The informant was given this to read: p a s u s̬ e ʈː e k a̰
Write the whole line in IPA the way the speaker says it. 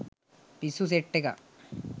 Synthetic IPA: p i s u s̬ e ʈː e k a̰